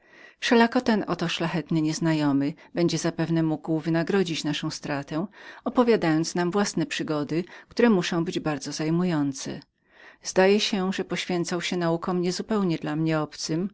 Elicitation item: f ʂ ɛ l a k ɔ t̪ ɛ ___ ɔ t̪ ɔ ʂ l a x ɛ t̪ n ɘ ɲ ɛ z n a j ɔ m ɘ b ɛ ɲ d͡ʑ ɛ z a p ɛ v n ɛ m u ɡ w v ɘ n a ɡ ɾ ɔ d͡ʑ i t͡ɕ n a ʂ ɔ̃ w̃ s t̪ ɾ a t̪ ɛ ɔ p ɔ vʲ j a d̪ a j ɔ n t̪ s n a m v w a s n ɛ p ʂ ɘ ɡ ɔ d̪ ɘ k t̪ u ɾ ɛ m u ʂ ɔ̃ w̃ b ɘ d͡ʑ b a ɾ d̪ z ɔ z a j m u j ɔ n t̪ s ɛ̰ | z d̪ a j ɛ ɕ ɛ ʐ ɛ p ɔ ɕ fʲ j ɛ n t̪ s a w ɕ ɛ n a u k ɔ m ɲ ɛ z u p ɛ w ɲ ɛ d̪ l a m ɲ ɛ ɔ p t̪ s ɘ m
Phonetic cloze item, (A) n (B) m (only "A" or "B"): A